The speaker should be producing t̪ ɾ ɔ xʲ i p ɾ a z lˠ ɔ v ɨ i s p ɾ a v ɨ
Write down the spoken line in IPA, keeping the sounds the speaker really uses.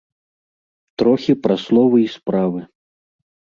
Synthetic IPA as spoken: t̪ ɾ ɔ xʲ i p ɾ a s lˠ ɔ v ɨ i s p ɾ a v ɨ